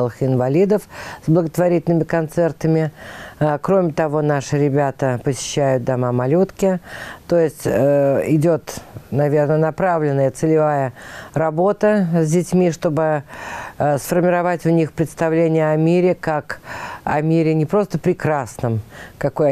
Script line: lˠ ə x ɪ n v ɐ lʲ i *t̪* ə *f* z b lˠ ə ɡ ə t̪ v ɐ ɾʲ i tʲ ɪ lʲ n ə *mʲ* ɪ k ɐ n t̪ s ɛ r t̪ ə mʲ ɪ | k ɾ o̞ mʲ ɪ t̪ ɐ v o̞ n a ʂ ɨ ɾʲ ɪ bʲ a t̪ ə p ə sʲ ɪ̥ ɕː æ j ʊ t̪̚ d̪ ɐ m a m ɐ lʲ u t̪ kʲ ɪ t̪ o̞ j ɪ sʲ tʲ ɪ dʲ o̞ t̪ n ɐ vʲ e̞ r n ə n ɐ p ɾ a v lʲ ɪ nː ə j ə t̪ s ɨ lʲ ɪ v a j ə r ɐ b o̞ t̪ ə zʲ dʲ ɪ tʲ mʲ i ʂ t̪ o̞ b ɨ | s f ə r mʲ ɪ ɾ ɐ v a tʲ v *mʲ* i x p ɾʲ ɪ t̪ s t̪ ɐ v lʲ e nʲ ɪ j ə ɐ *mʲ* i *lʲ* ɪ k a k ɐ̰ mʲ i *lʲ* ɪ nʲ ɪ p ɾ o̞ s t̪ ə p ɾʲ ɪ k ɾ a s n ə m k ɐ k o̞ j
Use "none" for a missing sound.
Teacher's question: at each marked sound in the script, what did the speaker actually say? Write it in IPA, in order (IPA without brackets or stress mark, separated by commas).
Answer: d̪, f, mʲ, nʲ, mʲ, ɾʲ, ɾʲ